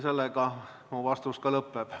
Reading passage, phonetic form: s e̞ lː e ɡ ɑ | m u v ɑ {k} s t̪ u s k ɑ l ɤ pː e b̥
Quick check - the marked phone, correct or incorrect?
incorrect